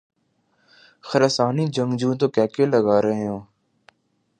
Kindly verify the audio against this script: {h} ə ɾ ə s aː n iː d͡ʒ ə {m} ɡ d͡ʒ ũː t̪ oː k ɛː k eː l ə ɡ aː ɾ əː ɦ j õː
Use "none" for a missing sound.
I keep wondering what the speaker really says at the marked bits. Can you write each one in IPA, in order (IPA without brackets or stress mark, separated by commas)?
x, ŋ